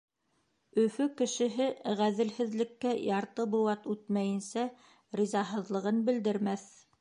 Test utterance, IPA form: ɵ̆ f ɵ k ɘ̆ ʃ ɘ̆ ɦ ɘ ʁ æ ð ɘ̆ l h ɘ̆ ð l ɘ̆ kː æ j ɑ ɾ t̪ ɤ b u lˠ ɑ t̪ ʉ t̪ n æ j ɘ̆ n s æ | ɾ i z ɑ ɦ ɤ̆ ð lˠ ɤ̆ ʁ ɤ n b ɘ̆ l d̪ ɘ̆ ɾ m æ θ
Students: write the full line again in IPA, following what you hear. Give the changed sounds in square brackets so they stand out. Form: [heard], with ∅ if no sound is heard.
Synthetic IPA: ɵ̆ f ɵ k ɘ̆ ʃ ɘ̆ ɦ ɘ ʁ æ ð ɘ̆ l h ɘ̆ ð l ɘ̆ kː æ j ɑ ɾ t̪ ɤ b u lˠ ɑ t̪ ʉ t̪ [m] æ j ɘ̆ n s æ | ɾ i z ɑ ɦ ɤ̆ ð lˠ ɤ̆ ʁ ɤ n b ɘ̆ l d̪ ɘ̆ ɾ m æ θ